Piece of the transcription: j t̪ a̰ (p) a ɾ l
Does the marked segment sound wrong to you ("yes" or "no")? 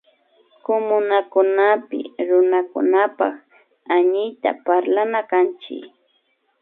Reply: no